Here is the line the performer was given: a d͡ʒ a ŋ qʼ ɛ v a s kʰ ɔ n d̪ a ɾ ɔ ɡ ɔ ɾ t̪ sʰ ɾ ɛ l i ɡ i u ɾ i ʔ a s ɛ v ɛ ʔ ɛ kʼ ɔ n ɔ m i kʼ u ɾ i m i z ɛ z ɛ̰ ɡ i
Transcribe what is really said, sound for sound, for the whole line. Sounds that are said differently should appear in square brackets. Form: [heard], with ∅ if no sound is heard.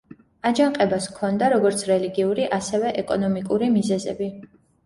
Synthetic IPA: a d͡ʒ a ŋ qʼ ɛ [b] a s kʰ ɔ n d̪ a ɾ ɔ ɡ ɔ ɾ t̪ sʰ ɾ ɛ l i ɡ i u ɾ i ʔ a s ɛ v ɛ ʔ ɛ kʼ ɔ n ɔ m i kʼ u ɾ i m i z ɛ z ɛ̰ [b] i